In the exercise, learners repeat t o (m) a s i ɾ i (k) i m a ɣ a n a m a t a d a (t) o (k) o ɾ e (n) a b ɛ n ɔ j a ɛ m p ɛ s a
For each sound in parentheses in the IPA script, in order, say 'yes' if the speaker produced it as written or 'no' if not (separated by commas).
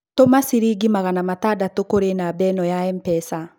yes, no, yes, yes, yes